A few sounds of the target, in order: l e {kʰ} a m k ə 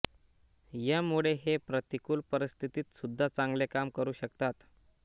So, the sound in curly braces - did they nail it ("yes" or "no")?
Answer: no